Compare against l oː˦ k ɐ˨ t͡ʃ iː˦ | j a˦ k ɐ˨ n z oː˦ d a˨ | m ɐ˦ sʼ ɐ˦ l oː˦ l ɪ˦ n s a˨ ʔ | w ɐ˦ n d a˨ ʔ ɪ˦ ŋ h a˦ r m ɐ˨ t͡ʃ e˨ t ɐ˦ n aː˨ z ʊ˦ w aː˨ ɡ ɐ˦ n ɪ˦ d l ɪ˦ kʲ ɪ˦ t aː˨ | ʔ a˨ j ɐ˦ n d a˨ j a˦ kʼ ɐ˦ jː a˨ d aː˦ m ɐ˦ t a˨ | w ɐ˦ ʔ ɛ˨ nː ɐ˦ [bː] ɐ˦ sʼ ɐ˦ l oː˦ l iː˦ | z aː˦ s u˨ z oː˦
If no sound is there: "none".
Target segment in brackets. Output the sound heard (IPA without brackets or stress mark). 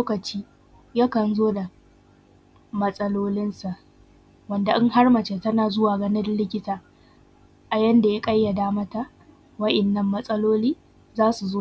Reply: mː